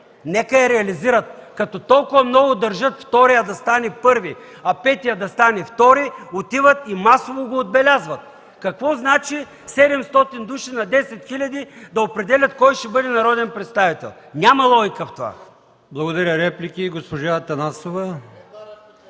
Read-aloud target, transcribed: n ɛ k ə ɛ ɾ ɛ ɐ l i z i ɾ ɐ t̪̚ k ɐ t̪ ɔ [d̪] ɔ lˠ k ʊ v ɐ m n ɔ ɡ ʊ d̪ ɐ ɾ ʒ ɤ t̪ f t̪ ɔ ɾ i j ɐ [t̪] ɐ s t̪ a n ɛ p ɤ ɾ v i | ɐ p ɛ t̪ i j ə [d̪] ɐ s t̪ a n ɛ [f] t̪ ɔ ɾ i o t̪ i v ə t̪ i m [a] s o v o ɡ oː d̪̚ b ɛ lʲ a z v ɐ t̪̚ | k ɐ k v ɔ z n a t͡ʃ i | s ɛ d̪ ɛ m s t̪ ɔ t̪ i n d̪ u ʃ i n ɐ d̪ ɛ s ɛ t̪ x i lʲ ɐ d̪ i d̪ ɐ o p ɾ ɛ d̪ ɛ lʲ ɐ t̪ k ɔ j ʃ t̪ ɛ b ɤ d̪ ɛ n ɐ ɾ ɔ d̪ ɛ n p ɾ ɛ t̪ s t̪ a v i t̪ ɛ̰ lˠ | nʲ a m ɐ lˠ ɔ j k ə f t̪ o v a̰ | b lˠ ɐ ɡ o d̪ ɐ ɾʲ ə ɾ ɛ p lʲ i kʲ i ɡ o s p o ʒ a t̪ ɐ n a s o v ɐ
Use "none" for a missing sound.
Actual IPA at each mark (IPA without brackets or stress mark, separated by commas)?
t̪, d̪, d̪, f, a